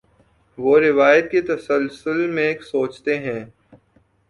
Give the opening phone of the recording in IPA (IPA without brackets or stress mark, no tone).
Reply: ʋ